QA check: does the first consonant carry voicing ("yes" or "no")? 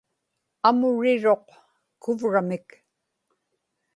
yes